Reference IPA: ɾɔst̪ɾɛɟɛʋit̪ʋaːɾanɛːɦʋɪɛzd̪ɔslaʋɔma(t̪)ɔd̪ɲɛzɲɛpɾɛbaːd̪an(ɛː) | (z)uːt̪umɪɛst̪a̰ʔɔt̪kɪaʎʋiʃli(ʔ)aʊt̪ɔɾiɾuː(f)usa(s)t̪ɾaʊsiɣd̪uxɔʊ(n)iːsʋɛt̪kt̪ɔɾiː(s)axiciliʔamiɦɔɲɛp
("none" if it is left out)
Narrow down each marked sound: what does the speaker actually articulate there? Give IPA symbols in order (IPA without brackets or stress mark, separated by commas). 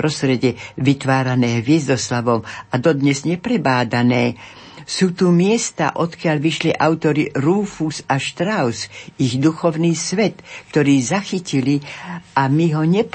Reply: d̪, ɛː, s, ʔ, f, ʃ, n, z